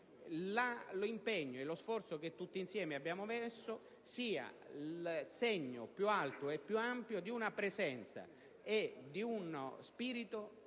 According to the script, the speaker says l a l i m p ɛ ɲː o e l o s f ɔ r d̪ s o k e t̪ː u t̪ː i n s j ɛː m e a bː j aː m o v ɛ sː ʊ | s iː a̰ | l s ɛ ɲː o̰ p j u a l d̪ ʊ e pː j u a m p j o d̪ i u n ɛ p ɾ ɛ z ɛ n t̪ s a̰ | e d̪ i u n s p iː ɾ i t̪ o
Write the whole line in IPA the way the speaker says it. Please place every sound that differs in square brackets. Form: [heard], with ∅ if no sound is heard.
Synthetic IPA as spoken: l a l i m p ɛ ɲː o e l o s f ɔ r [t̪] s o k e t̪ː u t̪ː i n s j ɛː m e a bː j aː m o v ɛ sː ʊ | s iː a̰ | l s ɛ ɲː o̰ p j u a l [t̪] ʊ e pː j u a m p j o d̪ i u n [a] p ɾ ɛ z ɛ n t̪ s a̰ | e d̪ i u n s p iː ɾ i t̪ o